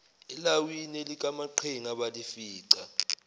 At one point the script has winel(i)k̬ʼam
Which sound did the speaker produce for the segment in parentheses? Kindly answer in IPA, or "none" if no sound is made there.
i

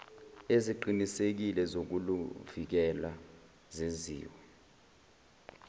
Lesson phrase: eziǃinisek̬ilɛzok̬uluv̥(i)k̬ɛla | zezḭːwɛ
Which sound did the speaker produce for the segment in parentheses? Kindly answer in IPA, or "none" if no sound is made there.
i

